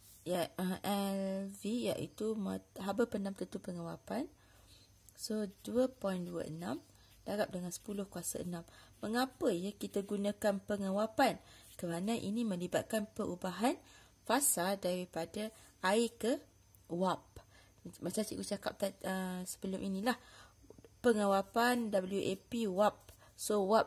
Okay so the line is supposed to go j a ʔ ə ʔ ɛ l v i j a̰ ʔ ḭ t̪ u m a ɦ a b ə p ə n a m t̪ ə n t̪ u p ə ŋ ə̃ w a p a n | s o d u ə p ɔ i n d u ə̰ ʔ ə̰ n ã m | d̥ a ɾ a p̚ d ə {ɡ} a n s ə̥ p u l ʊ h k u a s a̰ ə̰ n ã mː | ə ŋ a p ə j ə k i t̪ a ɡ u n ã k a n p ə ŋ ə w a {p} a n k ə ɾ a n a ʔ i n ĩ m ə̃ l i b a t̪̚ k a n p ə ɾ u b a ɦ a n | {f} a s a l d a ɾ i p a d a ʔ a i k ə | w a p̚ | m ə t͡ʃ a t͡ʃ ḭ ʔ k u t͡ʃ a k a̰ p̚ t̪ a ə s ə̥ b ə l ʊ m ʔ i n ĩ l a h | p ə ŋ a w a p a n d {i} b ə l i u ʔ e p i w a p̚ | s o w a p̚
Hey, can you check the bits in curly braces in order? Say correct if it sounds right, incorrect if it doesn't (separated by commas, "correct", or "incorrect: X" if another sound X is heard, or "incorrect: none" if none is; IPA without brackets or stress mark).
incorrect: ŋ, correct, correct, incorrect: a